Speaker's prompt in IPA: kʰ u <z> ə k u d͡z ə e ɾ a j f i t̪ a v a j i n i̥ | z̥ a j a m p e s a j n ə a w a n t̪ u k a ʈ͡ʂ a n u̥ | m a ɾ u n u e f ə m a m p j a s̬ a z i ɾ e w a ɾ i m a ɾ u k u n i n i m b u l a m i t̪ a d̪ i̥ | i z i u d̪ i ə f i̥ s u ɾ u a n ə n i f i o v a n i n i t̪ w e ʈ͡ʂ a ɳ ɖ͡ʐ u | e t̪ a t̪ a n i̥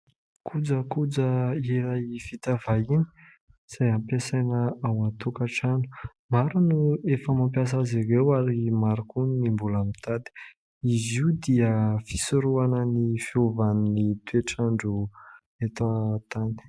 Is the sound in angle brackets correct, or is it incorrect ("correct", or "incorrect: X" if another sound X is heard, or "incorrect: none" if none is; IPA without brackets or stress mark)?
incorrect: d͡z